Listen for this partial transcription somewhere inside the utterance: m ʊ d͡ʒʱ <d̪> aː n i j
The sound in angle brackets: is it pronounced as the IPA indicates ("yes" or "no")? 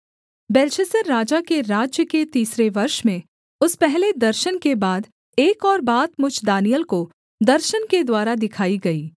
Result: yes